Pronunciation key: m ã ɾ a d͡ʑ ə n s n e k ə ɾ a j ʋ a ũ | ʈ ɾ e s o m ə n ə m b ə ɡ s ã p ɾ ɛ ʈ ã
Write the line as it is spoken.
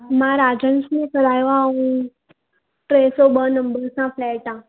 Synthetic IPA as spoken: m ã ɾ a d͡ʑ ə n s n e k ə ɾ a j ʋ a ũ | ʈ ɾ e s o b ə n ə m b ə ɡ s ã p l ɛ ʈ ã